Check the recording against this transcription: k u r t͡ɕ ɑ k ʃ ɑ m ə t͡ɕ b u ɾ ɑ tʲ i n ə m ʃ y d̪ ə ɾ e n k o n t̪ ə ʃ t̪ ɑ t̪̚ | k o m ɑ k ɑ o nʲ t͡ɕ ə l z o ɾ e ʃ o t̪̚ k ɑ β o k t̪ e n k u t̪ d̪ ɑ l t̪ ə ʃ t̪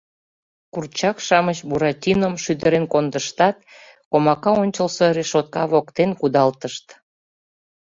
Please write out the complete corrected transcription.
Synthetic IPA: k u r t͡ɕ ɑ k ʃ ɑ m ə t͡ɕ b u ɾ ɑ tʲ i n ə m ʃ y d̪ ə ɾ e n k o n d̪ ə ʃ t̪ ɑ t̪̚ | k o m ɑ k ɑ o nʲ t͡ɕ ə l s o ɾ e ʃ o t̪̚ k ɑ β o k t̪ e n k u d̪ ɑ l t̪ ə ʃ t̪